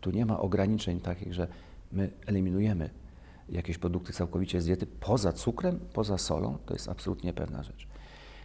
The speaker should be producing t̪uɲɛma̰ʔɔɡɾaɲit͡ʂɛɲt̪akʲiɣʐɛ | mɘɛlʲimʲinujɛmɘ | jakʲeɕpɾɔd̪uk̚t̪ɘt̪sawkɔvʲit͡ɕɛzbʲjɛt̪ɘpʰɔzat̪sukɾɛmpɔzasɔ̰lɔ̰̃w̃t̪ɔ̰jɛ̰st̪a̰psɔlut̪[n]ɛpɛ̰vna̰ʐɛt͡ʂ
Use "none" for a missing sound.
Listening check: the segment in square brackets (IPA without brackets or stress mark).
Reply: ɲ